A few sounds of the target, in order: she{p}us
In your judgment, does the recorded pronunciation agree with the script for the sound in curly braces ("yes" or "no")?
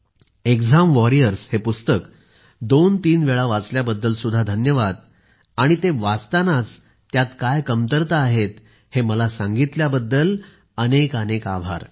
yes